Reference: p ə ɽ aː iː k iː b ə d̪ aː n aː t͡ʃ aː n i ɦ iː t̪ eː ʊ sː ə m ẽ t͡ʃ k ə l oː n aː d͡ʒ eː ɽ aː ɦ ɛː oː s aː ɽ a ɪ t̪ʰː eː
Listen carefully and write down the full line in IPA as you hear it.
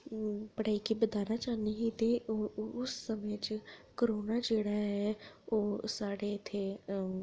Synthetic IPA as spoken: p ə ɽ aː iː k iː b ə d̪ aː n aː t͡ʃ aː n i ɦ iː t̪ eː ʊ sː ə m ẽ t͡ʃ k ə ɾ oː n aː d͡ʒ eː ɽ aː ɦ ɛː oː s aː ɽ e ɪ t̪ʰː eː